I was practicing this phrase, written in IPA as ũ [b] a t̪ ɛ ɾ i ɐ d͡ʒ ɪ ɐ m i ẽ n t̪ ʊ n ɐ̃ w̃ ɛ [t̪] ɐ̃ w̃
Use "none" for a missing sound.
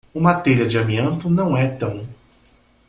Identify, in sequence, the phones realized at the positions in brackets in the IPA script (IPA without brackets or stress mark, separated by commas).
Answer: m, t̪